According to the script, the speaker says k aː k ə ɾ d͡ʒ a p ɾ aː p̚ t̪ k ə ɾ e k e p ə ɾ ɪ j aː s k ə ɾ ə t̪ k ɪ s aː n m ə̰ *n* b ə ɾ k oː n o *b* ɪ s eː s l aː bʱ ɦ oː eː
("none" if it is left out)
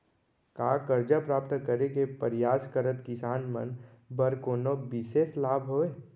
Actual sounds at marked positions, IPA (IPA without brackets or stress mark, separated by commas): n, b